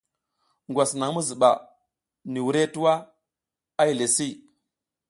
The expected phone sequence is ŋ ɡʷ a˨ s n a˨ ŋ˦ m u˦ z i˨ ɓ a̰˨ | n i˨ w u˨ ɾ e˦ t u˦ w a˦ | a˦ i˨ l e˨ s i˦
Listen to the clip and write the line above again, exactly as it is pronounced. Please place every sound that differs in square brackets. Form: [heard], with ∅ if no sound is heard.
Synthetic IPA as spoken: ŋ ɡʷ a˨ s n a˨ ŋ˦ m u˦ z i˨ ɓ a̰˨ | n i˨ w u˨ ɾ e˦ t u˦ w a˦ | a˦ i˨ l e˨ s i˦